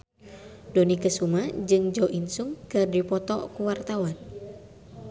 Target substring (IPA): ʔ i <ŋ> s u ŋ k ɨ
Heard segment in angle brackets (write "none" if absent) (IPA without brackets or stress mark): n